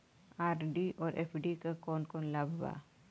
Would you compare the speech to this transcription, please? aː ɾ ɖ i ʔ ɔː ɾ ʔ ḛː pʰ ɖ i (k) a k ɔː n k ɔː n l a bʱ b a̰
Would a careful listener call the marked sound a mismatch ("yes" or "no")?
no